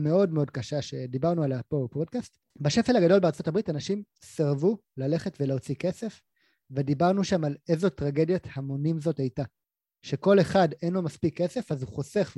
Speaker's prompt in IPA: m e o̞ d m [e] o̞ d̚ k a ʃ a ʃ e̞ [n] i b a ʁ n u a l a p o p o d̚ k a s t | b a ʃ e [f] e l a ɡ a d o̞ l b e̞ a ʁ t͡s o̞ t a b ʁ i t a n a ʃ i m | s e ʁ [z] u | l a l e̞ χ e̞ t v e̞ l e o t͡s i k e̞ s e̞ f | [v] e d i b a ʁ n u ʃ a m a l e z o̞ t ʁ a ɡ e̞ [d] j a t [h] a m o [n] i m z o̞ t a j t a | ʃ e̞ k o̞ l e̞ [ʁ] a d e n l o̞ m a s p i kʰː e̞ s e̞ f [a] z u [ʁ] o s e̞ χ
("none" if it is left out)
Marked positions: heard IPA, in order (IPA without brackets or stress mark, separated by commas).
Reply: e, d, f, v, v, d, h, n, χ, a, χ